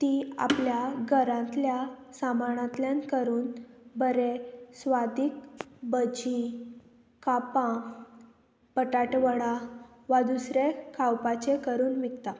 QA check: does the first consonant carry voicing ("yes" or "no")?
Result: no